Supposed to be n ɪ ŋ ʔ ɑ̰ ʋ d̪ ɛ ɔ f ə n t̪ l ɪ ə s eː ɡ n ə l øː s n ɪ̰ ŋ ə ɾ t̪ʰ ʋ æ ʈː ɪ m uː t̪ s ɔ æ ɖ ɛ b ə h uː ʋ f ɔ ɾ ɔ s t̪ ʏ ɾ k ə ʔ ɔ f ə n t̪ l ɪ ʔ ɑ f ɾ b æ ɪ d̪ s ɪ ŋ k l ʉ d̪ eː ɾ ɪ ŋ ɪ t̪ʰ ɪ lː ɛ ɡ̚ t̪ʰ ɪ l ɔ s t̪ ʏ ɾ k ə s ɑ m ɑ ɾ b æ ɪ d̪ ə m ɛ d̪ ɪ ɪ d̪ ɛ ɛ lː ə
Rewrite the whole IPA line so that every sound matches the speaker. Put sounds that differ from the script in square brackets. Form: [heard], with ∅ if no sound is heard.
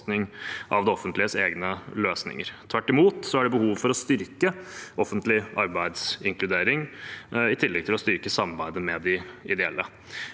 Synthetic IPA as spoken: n ɪ ŋ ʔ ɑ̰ ʋ d̪ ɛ ɔ f ə n t̪ l ɪ ə s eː ɡ n ə l øː s n ɪ̰ ŋ ə ɾ t̪ʰ ʋ æ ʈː ɪ m uː t̪ s ɔ æ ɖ ɛ b ə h uː ʋ f ɔ ɾ ɔ s t̪ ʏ ɾ k ə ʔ ɔ f ə n t̪ l ɪ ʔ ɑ [∅] ɾ b æ ɪ d̪ s ɪ ŋ k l ʉ d̪ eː ɾ ɪ ŋ ɪ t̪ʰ ɪ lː ɛ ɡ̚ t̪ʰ ɪ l ɔ s t̪ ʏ ɾ k ə s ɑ m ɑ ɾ b æ ɪ d̪ ə m ɛ d̪ ɪ ɪ d̪ ɛ ɛ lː ə

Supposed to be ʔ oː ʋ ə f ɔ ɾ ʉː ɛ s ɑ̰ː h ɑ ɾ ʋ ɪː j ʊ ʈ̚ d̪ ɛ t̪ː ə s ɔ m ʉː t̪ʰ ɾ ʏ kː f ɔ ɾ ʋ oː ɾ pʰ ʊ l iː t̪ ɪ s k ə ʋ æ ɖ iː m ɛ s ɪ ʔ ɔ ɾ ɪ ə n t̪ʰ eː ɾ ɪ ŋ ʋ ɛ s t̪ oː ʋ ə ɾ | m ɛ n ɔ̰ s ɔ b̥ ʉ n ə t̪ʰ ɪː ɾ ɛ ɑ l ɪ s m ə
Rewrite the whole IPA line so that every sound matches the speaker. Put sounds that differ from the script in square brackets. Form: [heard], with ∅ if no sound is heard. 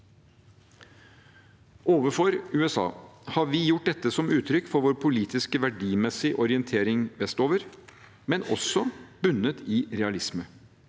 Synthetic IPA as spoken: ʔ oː ʋ ə f ɔ ɾ ʉː ɛ s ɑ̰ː h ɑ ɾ ʋ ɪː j ʊ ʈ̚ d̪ ɛ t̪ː ə s ɔ m ʉː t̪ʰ ɾ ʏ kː f ɔ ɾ ʋ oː ɾ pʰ ʊ l iː t̪ ɪ s k ə ʋ æ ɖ iː m ɛ s ɪ ʔ ɔ ɾ ɪ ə n t̪ʰ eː ɾ ɪ ŋ ʋ ɛ s t̪ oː ʋ ə ɾ | m ɛ n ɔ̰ s ɔ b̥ ʉ n ə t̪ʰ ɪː ɾ ɛ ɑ l ɪ s m ə

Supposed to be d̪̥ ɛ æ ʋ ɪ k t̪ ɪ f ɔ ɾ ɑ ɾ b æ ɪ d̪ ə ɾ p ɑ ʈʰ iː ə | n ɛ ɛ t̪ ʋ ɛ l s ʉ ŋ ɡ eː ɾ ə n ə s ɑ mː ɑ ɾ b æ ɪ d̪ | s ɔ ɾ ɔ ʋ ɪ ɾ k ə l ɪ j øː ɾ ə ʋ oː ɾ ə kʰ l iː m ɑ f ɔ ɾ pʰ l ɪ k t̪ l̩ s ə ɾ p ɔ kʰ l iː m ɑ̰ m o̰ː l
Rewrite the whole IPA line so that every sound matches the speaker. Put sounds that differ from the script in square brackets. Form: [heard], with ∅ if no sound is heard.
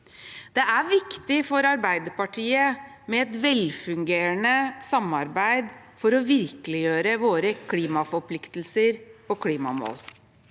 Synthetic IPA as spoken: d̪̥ ɛ æ ʋ ɪ k t̪ ɪ f ɔ ɾ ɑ ɾ b æ ɪ d̪ ə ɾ p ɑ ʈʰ iː ə | [m] ɛ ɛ t̪ ʋ ɛ l [f] ʉ ŋ ɡ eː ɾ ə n ə s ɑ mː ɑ ɾ b æ ɪ d̪ | [f] ɔ ɾ ɔ ʋ ɪ ɾ k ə l ɪ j øː ɾ ə ʋ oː ɾ ə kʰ l iː m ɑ f ɔ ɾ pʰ l ɪ k t̪ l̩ s ə ɾ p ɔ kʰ l iː m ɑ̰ m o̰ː l

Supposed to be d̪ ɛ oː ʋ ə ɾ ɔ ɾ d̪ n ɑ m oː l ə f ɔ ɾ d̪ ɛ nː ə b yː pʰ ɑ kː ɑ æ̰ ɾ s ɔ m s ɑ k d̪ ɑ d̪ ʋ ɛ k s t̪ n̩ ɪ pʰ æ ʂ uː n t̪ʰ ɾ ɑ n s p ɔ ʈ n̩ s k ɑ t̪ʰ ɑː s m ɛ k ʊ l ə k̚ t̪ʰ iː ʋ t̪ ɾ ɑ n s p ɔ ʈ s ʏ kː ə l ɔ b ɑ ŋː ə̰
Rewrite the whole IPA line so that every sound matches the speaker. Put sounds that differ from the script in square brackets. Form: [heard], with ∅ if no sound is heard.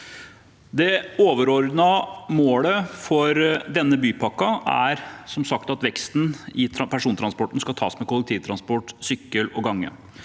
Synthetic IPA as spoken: d̪ ɛ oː ʋ ə ɾ ɔ ɾ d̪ n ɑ m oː l ə f ɔ ɾ d̪ ɛ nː ə b yː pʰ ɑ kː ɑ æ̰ ɾ s ɔ m s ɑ k [t̪] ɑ [t̪] ʋ ɛ k s t̪ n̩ ɪ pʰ æ ʂ uː n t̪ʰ ɾ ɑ n s p ɔ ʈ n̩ s k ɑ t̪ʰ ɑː s m ɛ k ʊ l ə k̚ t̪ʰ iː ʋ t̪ ɾ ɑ n s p ɔ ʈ s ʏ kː ə l ɔ [ɡ] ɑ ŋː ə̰

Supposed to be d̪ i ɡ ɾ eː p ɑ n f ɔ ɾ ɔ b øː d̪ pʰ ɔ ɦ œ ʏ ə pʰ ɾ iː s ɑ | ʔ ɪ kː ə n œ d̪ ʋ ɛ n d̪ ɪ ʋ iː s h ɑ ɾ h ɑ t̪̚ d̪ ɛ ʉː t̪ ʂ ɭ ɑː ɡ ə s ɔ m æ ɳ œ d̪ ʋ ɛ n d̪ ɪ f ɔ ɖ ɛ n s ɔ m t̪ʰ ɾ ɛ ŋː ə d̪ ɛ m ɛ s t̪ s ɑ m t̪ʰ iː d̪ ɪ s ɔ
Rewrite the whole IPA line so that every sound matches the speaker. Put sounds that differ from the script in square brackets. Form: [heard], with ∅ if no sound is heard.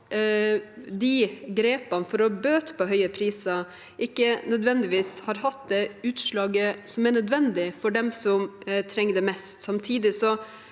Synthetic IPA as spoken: d̪ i ɡ ɾ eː p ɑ n f ɔ ɾ ɔ b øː [t̪] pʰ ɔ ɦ œ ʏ ə pʰ ɾ iː s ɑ | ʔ ɪ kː ə n œ d̪ ʋ ɛ n d̪ ɪ ʋ iː s h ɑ ɾ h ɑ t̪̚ d̪ ɛ ʉː t̪ ʂ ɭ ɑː ɡ ə s ɔ m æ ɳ œ d̪ ʋ ɛ n d̪ ɪ f ɔ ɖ ɛ [m] s ɔ m t̪ʰ ɾ ɛ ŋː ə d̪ ɛ m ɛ s t̪ s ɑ m t̪ʰ iː d̪ ɪ s ɔ

